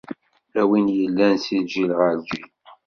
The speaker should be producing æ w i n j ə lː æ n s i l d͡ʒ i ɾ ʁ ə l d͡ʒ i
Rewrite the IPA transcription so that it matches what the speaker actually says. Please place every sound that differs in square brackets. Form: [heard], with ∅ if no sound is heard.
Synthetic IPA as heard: æ w i n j ə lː æ n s i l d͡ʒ i [l] ʁ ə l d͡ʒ i